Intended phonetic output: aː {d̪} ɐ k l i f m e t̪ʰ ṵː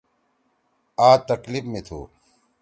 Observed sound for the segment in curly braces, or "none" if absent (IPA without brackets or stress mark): t̪